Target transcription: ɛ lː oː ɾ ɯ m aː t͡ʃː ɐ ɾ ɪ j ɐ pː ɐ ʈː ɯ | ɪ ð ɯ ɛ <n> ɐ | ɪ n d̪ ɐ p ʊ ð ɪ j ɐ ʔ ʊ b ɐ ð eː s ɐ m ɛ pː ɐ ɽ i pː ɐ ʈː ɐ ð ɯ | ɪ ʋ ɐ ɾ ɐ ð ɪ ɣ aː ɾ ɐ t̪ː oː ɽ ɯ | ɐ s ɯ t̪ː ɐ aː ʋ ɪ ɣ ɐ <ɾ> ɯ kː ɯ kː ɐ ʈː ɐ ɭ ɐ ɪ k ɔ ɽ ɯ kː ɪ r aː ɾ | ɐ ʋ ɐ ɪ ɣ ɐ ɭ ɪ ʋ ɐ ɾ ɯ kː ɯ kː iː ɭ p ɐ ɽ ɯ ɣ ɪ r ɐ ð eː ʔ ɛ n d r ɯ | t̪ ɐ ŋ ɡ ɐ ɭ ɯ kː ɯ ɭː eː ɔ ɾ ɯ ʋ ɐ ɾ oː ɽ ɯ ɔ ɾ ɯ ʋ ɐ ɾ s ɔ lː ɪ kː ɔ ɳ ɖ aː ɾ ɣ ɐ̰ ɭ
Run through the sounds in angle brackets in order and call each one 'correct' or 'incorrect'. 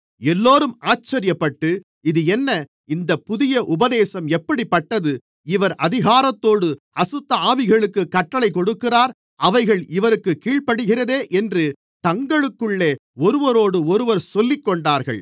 incorrect, incorrect

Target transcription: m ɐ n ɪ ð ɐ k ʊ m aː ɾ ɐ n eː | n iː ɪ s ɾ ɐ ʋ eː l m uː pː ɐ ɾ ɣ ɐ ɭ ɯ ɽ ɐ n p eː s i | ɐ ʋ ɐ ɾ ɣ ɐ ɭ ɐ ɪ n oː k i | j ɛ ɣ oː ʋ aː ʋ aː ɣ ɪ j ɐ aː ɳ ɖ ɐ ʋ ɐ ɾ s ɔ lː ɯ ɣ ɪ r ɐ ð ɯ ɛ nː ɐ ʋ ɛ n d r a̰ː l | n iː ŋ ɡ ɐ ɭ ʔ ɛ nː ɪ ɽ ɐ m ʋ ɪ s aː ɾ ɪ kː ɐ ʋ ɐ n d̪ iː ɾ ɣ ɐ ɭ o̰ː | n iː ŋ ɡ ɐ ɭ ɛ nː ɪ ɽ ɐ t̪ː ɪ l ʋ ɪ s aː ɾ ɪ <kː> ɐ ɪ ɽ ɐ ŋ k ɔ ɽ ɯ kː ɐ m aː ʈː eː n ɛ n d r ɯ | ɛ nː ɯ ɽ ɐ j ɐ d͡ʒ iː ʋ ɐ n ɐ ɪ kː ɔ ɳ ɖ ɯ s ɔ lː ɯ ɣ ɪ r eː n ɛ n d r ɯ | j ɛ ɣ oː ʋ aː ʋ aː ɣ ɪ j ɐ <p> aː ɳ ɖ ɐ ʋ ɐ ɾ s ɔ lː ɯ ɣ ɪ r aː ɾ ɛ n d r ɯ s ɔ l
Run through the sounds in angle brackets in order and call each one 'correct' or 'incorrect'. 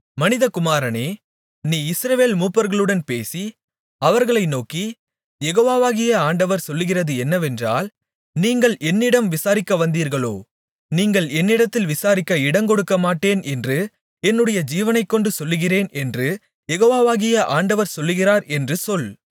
correct, incorrect

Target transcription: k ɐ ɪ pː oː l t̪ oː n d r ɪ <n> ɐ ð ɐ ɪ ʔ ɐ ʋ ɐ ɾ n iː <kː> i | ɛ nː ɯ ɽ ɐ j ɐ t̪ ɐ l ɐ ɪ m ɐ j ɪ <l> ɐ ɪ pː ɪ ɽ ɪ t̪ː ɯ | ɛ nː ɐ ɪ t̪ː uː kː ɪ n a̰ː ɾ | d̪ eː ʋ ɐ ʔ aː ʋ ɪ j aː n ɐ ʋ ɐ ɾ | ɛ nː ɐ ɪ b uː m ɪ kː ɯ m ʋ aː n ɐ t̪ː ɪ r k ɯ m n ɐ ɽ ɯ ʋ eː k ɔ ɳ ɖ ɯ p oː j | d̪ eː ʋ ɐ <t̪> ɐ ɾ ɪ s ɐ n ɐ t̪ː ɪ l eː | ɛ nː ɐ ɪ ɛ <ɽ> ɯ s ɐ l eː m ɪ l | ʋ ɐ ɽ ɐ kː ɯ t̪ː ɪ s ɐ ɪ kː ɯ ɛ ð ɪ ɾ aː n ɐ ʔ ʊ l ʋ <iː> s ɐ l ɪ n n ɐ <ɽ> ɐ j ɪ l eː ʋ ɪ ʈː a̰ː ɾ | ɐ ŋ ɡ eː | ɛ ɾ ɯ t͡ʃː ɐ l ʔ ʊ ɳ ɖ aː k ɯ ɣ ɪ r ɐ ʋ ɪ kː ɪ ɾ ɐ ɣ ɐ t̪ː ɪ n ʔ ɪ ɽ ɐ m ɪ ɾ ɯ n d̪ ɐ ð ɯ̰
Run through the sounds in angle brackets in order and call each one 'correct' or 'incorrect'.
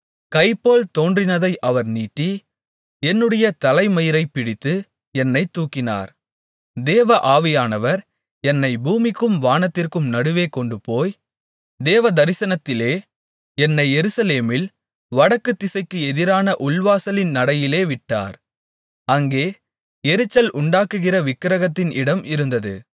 correct, incorrect, incorrect, incorrect, incorrect, incorrect, correct

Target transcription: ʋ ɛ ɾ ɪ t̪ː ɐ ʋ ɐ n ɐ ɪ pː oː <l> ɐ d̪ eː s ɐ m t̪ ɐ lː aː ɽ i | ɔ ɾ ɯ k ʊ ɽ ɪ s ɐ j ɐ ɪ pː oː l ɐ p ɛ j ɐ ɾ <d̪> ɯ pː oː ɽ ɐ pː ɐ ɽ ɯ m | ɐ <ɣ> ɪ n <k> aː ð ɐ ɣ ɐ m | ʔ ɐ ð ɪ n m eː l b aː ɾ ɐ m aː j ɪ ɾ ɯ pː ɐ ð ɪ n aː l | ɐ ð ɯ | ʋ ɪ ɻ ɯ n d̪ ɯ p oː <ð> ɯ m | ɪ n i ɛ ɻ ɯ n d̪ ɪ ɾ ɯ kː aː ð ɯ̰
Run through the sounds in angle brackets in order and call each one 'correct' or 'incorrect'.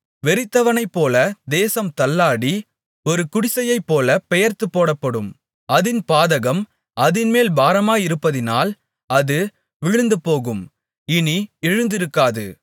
correct, incorrect, incorrect, incorrect, incorrect

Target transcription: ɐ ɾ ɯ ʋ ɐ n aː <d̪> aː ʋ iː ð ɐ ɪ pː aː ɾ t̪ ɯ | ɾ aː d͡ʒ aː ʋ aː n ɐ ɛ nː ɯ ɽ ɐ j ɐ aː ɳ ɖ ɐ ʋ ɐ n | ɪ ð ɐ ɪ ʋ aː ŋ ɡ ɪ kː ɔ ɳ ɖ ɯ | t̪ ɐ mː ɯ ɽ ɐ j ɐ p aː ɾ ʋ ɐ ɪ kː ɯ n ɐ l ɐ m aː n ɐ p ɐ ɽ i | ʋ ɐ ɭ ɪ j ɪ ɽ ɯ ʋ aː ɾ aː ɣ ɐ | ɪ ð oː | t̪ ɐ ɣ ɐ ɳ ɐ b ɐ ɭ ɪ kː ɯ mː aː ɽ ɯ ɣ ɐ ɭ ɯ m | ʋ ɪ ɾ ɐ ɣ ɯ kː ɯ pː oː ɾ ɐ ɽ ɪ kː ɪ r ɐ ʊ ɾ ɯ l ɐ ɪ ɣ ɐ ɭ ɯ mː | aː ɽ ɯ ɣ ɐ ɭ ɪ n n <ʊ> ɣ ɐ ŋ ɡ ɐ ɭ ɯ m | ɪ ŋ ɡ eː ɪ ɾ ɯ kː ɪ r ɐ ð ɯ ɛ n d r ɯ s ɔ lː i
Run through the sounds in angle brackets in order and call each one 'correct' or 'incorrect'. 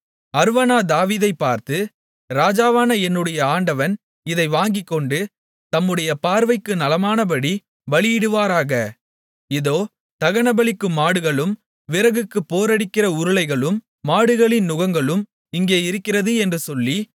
correct, correct

